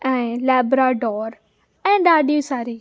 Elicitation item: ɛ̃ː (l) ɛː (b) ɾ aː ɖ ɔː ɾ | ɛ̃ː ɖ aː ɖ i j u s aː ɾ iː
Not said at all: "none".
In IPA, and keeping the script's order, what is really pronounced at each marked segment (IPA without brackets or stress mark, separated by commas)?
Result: l, b